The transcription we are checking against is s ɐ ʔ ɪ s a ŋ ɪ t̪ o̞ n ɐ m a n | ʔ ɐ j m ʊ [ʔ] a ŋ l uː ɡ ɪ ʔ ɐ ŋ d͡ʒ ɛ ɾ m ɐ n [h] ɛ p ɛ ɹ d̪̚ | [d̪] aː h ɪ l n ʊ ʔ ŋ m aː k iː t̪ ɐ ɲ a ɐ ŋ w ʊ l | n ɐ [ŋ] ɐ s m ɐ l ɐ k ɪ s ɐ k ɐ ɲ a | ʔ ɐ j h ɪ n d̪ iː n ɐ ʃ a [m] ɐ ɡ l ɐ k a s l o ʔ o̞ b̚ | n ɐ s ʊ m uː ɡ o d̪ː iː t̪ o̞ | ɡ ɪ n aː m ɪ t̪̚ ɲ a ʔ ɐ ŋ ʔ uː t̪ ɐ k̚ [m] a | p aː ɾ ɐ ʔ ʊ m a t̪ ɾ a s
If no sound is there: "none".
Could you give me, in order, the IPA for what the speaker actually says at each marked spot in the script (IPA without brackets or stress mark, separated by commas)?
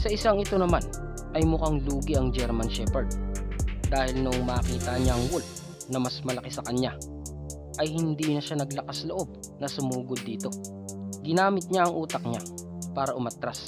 k, ʃ, d̪, m, n, ɲ